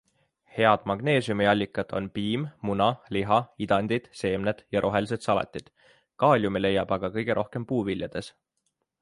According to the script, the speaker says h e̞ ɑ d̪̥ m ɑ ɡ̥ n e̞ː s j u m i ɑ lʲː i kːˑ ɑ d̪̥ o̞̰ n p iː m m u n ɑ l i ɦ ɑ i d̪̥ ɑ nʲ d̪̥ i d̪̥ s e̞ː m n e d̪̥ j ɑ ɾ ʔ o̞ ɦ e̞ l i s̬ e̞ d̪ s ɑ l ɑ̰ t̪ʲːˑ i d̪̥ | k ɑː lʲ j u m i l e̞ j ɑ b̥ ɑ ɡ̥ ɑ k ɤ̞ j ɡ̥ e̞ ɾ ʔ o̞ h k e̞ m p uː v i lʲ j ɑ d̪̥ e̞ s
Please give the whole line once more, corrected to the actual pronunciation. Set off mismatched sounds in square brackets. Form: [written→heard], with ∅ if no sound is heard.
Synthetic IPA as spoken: h e̞ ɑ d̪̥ m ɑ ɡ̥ n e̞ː s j u m i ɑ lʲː i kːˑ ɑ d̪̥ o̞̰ n p iː m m u n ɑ l i ɦ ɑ i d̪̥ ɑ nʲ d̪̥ i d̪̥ s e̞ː m n e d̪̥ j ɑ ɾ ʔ o̞ ɦ e̞ l i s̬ e̞ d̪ s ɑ l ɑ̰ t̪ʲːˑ i d̪̥ | k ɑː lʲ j u m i l e̞ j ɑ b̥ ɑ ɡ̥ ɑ k ɤ̞ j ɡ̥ e̞ ɾ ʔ o̞ h k e̞ m p uː v i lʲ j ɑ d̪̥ e̞ s

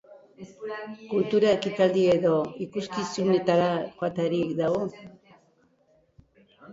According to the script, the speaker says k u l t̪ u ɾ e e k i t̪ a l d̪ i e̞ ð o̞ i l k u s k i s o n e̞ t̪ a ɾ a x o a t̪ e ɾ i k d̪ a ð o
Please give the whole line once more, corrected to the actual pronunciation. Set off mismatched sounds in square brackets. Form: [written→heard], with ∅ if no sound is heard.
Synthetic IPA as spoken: k u l t̪ u ɾ [e→a] e k i t̪ a l d̪ i e̞ ð o̞ i [l→∅] k u s k i s [o→u] n e̞ t̪ a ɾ a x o a t̪ [e→a] ɾ i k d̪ a [ð→ɣ] o

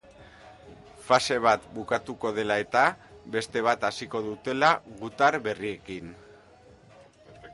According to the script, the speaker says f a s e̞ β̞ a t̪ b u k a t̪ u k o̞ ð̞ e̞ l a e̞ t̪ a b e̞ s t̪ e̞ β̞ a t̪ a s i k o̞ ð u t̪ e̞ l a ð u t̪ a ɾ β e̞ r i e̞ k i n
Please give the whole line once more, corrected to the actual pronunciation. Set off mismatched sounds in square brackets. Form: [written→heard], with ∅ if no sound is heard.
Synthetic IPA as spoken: f a s e̞ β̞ a t̪ b u k a t̪ u k o̞ ð̞ e̞ l a e̞ t̪ a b e̞ s t̪ e̞ β̞ a t̪ a s i k o̞ ð u t̪ e̞ l a [ð→ɣ] u t̪ a ɾ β e̞ r i e̞ k i n

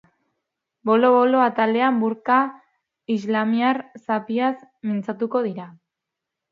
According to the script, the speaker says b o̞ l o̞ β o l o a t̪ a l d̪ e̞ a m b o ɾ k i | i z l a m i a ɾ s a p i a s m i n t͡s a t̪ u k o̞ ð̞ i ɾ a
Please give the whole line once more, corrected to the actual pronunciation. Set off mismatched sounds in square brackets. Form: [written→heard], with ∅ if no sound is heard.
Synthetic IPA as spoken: b o̞ l o̞ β o l o a t̪ a l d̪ e̞ a m b [o→u] ɾ k [i→a] | i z l a m i a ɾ s a p i a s m i n t͡s a t̪ u k o̞ ð̞ i ɾ a

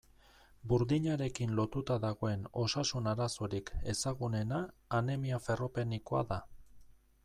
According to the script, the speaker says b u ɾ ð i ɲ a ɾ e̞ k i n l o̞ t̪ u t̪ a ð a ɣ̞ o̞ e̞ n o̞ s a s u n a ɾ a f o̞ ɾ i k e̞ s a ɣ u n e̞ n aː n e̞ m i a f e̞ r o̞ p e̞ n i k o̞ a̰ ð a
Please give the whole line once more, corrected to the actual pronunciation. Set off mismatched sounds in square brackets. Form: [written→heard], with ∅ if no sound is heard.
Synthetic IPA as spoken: b u ɾ ð i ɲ a ɾ e̞ k i n l o̞ t̪ u t̪ a ð a ɣ̞ o̞ e̞ n o̞ s a s u n a ɾ a [f→s] o̞ ɾ i k e̞ s a ɣ u n e̞ n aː n e̞ m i a f e̞ r o̞ p e̞ n i k o̞ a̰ ð a

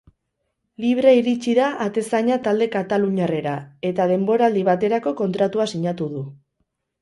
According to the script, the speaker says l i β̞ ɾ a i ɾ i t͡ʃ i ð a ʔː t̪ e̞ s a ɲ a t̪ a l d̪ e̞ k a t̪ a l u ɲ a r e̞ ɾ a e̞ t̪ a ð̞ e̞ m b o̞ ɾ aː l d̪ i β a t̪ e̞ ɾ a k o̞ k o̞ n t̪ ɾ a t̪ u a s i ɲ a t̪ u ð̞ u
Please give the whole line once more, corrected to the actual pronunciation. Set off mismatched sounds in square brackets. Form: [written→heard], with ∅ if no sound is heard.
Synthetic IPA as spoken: l i β̞ ɾ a i ɾ i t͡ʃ i ð a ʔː t̪ e̞ s a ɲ a t̪ a l d̪ e̞ k a t̪ a l u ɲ a r e̞ ɾ a e̞ t̪ a ð̞ e̞ m b o̞ ɾ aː l d̪ i β a t̪ e̞ ɾ a k o̞ k o̞ n t̪ ɾ a t̪ u a s i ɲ a t̪ u ð̞ u

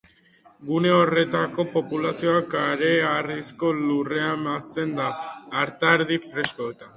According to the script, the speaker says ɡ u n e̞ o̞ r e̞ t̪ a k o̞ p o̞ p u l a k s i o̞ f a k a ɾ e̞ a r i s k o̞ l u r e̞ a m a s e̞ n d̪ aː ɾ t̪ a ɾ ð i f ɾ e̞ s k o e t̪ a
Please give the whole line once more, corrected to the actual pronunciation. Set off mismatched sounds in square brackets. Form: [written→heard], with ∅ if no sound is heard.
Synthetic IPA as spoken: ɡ u n e̞ o̞ r e̞ t̪ a k o̞ p o̞ p u l a [k→∅] s i o̞ [f→∅] a k a ɾ e̞ a r i s k o̞ l u r e̞ a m a s e̞ n d̪ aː ɾ t̪ a ɾ ð i f ɾ e̞ s k o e t̪ a

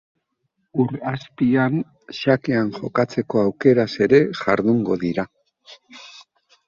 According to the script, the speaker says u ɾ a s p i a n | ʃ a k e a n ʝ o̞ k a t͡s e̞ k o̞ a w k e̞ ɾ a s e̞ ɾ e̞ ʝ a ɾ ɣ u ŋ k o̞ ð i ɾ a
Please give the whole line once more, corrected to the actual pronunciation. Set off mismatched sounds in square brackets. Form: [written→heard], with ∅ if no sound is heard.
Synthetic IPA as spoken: u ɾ a s p i a n | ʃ a k e a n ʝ o̞ k a t͡s e̞ k o̞ a w k e̞ ɾ a s e̞ ɾ e̞ ʝ a ɾ [ɣ→ð] u ŋ [k→ɡ] o̞ ð i ɾ a

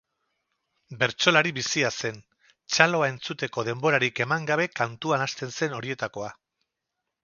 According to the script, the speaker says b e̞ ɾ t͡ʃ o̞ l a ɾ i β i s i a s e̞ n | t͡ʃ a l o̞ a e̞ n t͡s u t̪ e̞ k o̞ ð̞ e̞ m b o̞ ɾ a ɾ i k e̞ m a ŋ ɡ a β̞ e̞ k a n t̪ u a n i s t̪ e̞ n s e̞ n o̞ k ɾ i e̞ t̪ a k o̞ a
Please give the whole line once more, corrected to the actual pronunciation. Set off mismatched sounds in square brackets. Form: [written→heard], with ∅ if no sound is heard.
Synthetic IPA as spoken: b e̞ ɾ t͡ʃ o̞ l a ɾ i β i s i a s e̞ n | t͡ʃ a l o̞ a e̞ n t͡s u t̪ e̞ k o̞ ð̞ e̞ m b o̞ ɾ a ɾ i k e̞ m a ŋ ɡ a β̞ e̞ k a n t̪ u a n [i→a] s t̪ e̞ n s e̞ n o̞ [k→∅] ɾ i e̞ t̪ a k o̞ a

